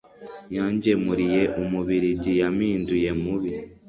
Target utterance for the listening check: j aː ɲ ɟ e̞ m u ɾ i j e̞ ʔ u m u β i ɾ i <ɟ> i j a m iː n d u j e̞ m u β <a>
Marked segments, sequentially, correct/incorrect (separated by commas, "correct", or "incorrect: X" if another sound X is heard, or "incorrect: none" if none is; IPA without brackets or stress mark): correct, incorrect: i